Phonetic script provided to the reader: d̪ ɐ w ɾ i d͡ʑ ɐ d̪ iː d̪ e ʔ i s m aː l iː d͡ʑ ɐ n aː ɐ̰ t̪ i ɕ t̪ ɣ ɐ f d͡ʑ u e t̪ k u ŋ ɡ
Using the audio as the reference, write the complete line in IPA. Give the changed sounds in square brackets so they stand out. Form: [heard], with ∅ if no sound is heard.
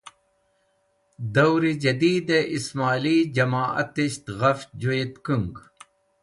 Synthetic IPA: d̪ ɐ w ɾ i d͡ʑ ɐ d̪ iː d̪ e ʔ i s m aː l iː d͡ʑ ɐ [m] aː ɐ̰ t̪ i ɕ t̪ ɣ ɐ f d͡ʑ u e t̪ k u ŋ ɡ